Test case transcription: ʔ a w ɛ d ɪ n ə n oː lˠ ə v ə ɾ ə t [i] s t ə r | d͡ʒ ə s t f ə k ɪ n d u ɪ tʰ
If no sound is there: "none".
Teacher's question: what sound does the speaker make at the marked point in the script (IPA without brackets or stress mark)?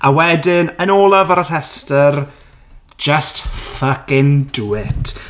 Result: ɛ